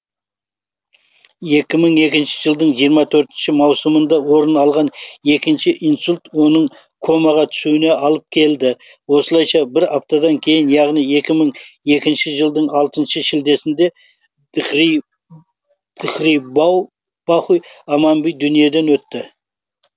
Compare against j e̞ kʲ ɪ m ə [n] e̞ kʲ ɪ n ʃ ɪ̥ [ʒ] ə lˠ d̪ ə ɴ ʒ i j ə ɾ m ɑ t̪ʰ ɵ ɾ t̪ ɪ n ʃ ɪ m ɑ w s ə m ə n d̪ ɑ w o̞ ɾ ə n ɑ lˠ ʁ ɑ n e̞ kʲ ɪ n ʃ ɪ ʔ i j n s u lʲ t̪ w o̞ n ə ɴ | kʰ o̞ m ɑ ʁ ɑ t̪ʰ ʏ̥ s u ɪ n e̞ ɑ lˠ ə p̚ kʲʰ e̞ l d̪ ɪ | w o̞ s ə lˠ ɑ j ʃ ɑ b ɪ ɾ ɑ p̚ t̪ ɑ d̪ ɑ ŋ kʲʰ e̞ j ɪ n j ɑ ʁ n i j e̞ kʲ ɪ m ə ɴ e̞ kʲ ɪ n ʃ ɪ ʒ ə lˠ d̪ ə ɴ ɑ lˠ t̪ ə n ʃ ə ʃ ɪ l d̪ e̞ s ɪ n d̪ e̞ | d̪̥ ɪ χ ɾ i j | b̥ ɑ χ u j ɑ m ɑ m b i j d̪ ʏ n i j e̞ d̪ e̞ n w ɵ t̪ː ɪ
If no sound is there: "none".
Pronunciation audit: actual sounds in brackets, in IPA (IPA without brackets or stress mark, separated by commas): ɴ, ʒ